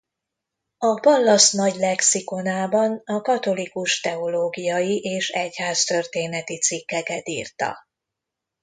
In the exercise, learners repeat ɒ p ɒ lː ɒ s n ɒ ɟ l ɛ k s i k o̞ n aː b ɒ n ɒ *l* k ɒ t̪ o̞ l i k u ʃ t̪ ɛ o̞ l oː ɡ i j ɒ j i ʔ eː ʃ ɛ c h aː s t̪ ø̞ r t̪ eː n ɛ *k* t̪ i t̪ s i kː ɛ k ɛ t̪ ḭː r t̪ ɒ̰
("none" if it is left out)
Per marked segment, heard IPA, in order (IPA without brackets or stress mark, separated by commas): none, none